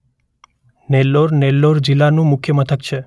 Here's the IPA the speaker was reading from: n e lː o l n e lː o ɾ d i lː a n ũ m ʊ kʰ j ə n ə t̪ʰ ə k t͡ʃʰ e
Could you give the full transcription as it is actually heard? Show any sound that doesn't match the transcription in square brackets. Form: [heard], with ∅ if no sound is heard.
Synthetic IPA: n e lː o [ɾ] n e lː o ɾ [d͡ʒ] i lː a n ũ m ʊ kʰ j ə [m] ə t̪ʰ ə k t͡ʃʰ e